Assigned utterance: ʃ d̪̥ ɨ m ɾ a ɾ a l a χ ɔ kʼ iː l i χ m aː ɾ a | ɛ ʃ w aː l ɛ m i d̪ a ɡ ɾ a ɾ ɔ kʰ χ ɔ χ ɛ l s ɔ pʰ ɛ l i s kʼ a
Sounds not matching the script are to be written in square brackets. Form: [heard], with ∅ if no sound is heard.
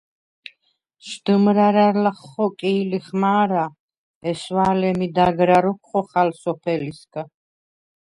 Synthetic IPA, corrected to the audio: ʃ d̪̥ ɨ m ɾ a ɾ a l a χ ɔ kʼ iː l i χ m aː ɾ a | ɛ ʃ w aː l ɛ m i d̪ a ɡ ɾ a ɾ ɔ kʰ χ ɔ χ [a] l s ɔ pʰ ɛ l i s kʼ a